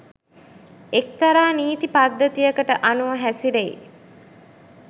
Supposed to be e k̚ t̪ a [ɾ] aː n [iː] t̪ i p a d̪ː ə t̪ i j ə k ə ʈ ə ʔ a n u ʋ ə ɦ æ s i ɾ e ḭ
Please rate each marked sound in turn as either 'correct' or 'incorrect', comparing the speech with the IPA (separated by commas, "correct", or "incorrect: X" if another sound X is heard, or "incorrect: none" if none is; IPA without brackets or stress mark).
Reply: correct, correct